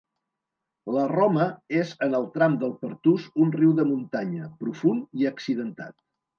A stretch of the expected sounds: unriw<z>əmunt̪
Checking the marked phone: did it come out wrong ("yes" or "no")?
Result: yes